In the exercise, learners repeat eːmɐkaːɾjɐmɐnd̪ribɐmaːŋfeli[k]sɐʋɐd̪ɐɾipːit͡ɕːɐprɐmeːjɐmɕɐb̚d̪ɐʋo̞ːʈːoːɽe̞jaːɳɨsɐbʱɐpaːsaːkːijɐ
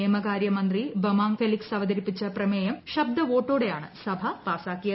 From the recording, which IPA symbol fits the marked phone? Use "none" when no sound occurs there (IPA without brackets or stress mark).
k